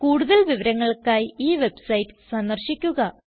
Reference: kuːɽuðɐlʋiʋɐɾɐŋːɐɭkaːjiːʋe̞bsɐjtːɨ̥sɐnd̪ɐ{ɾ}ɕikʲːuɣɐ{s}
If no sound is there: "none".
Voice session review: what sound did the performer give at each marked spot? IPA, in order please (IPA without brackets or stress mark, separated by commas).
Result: r, none